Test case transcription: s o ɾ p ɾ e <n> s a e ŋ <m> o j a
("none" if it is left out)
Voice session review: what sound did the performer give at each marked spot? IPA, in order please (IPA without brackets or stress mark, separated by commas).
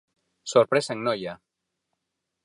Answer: none, n